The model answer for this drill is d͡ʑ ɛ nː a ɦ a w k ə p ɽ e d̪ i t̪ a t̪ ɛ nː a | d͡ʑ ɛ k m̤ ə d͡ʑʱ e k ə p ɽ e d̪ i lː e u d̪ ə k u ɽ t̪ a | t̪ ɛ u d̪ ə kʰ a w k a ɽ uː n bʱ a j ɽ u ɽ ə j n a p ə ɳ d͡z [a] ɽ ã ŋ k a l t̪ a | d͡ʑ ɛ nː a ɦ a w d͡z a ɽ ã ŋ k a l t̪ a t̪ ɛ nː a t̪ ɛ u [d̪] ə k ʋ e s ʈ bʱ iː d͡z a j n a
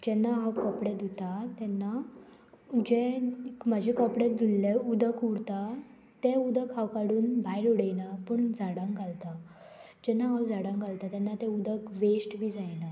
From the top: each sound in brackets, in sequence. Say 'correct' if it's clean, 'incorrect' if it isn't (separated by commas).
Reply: correct, correct